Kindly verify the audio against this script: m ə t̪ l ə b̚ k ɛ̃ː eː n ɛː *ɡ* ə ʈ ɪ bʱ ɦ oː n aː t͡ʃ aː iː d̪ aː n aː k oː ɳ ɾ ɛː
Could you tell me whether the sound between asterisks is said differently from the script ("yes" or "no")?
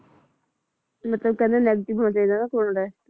no